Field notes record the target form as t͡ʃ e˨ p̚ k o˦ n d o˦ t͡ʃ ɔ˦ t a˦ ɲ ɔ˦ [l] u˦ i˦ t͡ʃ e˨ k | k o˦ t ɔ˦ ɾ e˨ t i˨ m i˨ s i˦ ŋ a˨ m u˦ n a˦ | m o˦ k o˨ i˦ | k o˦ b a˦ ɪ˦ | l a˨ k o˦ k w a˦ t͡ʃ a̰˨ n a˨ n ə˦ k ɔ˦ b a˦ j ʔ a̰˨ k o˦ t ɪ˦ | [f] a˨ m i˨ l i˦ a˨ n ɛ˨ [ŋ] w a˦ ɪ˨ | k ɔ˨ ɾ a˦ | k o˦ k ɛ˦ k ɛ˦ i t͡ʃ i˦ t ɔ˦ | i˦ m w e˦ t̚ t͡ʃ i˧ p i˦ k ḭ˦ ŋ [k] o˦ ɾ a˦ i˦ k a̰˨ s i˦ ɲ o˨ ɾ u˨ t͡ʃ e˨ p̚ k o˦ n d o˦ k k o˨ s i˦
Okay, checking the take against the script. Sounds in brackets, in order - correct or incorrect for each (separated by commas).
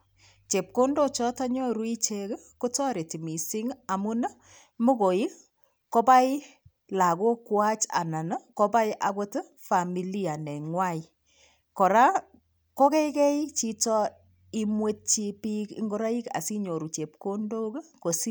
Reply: incorrect, correct, correct, incorrect